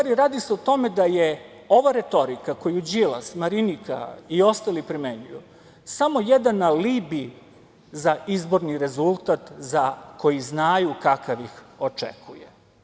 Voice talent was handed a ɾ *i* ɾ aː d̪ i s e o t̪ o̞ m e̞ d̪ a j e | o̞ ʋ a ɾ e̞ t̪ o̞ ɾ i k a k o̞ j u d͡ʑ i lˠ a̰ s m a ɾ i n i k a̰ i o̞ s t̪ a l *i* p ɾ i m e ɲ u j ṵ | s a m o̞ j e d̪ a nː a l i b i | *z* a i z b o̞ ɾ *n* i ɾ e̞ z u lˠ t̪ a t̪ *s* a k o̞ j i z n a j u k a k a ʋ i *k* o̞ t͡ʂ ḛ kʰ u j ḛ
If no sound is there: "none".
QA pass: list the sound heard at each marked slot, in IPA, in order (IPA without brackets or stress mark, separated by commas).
i, i, z, n, z, x